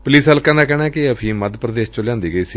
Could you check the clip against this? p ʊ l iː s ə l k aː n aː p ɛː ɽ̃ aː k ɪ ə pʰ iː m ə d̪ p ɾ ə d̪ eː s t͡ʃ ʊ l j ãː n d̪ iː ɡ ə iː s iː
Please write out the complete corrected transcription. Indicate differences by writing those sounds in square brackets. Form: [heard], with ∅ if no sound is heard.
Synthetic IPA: p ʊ l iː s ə l k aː n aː [k] ɛː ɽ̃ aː k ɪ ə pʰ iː m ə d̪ p ɾ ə d̪ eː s t͡ʃ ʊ l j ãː n d̪ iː ɡ ə iː s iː